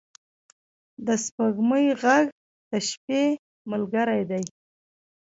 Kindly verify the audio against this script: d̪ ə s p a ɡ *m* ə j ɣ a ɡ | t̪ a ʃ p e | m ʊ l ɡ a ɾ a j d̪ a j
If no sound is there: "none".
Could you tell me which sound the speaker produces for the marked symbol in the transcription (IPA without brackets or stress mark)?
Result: m